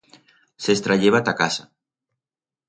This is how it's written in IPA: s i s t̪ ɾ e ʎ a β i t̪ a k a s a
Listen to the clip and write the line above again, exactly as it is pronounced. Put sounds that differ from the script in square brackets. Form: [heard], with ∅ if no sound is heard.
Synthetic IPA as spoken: s [e] s t̪ ɾ [a] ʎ [e] β [a] t̪ a k a s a